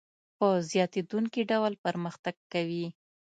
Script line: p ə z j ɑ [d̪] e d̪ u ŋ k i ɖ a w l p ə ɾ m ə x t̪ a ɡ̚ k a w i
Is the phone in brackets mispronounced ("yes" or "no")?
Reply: yes